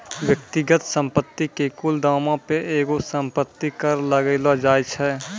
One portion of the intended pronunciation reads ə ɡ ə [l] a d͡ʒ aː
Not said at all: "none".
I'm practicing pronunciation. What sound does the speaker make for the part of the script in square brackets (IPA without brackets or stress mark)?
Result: l